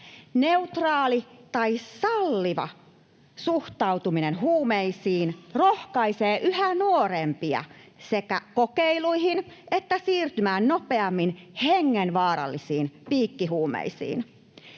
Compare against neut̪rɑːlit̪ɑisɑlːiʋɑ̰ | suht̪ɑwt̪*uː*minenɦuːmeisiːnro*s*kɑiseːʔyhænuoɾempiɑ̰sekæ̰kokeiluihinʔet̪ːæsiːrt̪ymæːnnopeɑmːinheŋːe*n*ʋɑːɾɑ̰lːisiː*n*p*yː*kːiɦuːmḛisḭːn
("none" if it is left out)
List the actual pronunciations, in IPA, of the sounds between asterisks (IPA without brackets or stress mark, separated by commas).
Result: u, h, n, n, iː